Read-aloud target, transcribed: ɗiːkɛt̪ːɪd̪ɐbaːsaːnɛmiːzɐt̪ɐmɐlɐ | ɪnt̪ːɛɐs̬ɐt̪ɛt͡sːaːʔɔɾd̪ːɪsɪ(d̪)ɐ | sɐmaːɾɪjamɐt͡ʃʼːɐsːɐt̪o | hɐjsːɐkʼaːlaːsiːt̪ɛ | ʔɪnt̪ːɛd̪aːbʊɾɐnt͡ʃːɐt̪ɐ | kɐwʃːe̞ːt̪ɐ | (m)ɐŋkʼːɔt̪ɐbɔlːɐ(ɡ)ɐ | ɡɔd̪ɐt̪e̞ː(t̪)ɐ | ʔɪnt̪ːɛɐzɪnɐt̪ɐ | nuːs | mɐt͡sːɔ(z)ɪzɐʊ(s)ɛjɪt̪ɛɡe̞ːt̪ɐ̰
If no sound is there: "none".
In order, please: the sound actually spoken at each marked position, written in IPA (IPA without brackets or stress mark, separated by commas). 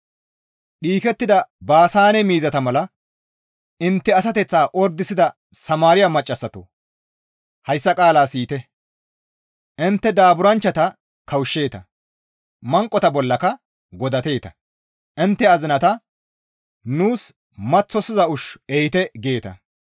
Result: d̪, m, k, t̪, s, ʃ